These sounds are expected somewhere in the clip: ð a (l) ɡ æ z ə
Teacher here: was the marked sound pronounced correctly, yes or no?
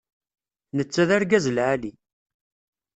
no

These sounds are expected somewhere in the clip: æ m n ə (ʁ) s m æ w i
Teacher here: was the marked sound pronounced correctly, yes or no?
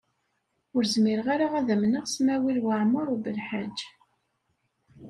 yes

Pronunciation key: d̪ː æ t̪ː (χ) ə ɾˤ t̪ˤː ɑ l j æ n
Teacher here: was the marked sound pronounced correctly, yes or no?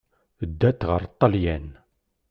no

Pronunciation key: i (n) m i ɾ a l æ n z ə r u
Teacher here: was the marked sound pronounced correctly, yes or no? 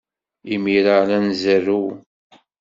no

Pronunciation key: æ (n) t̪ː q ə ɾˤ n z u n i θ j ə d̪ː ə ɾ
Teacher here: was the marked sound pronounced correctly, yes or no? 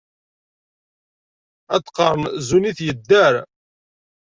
no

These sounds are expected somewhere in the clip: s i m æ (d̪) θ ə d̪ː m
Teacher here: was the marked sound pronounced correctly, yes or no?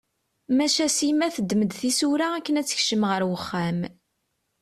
no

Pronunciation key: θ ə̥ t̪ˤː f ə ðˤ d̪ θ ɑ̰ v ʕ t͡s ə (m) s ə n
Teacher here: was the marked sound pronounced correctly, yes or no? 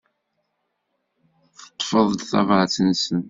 no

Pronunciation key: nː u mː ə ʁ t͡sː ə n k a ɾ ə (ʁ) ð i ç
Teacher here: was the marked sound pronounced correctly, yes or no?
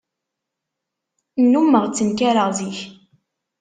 yes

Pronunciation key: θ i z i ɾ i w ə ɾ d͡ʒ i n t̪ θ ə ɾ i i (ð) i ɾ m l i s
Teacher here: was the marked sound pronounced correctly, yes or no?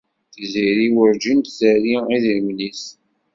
yes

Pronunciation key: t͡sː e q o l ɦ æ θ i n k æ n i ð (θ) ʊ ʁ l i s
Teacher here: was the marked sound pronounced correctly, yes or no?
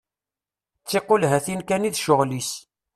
no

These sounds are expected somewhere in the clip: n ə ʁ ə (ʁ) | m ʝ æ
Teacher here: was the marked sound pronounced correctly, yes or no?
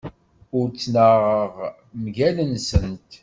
yes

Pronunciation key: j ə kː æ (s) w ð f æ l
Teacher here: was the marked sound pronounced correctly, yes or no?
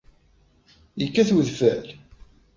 no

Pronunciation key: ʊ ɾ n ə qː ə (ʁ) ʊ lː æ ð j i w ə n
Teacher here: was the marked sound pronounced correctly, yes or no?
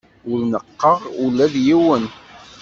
yes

